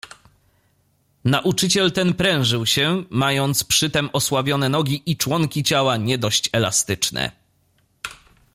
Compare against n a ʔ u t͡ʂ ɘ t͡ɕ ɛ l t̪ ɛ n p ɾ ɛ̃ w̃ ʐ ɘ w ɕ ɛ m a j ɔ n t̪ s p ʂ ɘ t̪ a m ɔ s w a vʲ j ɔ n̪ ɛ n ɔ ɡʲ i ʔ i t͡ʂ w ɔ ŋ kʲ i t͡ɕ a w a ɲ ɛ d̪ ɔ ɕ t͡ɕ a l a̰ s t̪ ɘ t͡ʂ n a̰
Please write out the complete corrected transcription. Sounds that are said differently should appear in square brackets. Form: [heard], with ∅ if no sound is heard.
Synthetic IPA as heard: n a ʔ u t͡ʂ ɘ t͡ɕ ɛ l t̪ ɛ n p ɾ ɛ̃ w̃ ʐ ɘ w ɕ ɛ m a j ɔ n t̪ s p ʂ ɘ t̪ [ɛ] m ɔ s w a vʲ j ɔ n̪ ɛ n ɔ ɡʲ i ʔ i t͡ʂ w ɔ ŋ kʲ i t͡ɕ a w a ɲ ɛ d̪ ɔ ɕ t͡ɕ [ɛ] l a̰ s t̪ ɘ t͡ʂ n [ɛ̰]